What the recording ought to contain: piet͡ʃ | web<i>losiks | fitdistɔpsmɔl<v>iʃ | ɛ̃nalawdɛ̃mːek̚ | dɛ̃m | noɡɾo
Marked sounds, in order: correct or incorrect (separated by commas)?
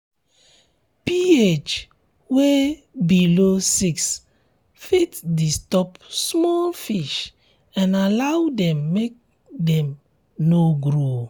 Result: correct, incorrect